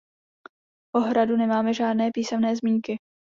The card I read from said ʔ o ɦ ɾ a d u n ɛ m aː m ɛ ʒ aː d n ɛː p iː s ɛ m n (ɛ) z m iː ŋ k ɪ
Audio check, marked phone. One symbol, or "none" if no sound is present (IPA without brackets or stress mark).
ɛː